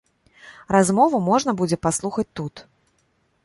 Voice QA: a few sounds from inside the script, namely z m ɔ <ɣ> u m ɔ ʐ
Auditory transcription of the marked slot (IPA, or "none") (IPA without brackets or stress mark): v